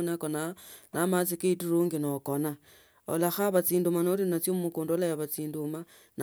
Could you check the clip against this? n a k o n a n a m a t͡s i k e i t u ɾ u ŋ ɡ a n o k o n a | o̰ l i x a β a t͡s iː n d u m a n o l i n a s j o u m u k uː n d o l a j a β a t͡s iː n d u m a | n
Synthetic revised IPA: n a k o n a n a m a t͡s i k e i t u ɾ u ŋ ɡ i n o k o n a | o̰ l a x a β a t͡s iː n d u m a n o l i n a t͡s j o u m u k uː n d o l a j a β a t͡s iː n d u m a | n